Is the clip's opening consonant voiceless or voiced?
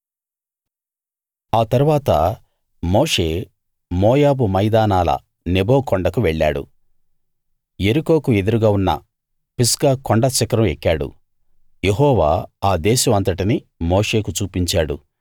voiceless